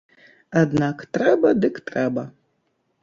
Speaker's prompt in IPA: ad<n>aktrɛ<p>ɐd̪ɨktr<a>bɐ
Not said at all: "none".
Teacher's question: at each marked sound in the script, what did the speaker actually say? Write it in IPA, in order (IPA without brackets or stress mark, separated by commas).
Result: n, b, ɛ